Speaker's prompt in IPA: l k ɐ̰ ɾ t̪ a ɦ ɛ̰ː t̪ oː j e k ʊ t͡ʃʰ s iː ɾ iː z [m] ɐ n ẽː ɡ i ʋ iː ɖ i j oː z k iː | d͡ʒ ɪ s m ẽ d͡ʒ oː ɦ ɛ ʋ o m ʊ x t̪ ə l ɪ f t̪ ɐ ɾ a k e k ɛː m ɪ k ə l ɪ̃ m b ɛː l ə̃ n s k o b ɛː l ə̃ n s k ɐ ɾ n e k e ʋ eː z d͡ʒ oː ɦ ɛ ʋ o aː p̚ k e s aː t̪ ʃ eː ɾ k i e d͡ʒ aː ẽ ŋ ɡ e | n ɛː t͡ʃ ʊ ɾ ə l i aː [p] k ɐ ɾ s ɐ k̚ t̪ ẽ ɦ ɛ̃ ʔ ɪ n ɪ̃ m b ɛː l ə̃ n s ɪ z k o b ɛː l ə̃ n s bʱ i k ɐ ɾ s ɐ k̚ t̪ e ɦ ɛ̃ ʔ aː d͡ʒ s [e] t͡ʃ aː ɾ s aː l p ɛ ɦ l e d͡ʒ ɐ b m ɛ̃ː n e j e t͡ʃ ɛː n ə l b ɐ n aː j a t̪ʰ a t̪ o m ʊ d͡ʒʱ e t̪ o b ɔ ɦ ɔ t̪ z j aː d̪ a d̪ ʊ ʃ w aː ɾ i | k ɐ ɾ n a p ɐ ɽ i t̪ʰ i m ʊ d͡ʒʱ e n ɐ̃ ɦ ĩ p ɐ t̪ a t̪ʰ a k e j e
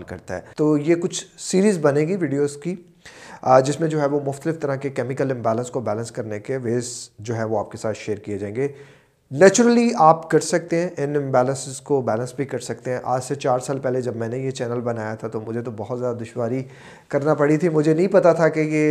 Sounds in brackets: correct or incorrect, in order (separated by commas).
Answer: incorrect, correct, correct